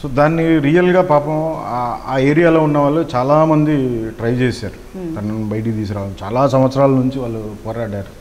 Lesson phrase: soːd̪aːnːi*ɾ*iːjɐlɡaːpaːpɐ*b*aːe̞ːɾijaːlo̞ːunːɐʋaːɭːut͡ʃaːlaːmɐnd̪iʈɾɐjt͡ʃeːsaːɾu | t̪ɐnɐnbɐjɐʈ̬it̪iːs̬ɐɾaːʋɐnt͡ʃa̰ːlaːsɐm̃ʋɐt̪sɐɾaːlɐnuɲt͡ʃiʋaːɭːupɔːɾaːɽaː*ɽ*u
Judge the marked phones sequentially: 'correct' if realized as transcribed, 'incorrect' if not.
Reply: correct, incorrect, incorrect

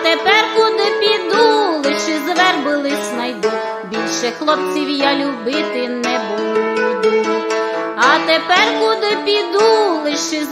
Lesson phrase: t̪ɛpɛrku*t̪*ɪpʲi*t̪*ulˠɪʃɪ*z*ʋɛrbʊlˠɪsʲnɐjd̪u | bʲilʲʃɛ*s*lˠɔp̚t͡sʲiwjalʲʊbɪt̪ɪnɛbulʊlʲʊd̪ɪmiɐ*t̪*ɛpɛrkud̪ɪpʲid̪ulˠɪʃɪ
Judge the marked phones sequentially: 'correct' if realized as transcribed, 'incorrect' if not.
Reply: incorrect, incorrect, correct, incorrect, correct

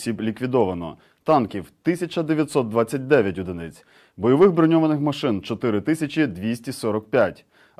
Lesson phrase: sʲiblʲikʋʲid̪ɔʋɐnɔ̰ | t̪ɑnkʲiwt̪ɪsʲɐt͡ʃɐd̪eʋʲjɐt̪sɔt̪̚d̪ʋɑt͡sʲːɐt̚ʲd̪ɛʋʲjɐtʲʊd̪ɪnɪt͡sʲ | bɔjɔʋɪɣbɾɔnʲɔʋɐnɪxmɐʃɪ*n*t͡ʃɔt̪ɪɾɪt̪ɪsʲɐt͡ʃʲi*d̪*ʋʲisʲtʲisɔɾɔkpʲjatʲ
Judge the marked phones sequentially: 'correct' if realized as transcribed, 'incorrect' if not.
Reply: correct, correct

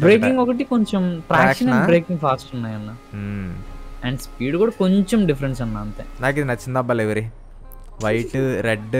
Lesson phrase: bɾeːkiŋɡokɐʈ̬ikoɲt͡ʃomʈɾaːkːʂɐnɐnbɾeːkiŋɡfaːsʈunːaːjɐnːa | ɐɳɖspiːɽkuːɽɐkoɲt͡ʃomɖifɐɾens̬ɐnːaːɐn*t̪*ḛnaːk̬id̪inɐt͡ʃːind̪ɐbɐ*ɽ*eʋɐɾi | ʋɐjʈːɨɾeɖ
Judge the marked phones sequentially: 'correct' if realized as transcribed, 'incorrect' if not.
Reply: correct, incorrect

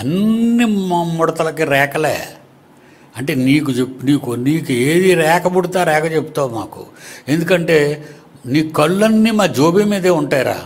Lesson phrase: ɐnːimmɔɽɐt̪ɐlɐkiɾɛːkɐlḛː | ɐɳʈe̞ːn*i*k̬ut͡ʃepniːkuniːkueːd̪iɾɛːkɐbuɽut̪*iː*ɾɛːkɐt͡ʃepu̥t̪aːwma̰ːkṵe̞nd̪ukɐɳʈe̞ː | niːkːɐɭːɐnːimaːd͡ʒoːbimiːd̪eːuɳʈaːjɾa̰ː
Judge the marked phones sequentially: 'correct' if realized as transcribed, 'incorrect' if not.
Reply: incorrect, incorrect

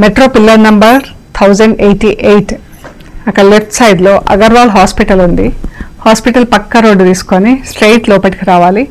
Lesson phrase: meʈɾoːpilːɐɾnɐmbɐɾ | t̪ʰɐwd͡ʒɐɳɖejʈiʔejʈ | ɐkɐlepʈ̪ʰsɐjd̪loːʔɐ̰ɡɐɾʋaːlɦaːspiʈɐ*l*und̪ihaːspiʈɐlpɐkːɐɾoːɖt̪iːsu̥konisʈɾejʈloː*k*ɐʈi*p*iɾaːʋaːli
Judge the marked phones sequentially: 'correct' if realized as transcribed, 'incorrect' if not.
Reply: correct, incorrect, incorrect

